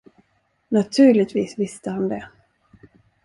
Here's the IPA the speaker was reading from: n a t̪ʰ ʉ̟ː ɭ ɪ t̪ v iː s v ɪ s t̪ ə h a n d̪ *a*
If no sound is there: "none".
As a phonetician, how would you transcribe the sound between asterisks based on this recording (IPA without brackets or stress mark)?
ɛ